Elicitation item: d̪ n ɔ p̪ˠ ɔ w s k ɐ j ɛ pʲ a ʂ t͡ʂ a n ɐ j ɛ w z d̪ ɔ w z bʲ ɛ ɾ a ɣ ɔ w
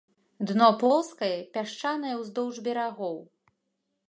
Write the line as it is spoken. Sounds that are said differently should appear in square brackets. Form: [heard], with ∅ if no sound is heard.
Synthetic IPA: d̪ n ɔ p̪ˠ ɔ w s k ɐ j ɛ pʲ a ʂ t͡ʂ a n ɐ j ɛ w z d̪ ɔ w [ʐ] bʲ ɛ ɾ a ɣ ɔ w